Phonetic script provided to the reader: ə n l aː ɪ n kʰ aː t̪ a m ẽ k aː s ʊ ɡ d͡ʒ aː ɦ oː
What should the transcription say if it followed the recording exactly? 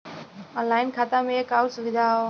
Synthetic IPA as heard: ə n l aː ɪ n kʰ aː t̪ a m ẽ k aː s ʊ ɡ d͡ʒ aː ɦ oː